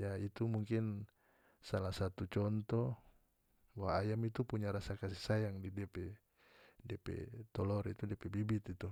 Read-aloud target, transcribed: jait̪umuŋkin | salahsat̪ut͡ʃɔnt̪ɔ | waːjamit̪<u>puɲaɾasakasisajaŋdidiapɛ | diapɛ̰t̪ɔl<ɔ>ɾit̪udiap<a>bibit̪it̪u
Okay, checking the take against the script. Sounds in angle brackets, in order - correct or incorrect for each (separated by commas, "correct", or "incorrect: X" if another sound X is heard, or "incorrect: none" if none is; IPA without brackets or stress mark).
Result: correct, correct, incorrect: ɛ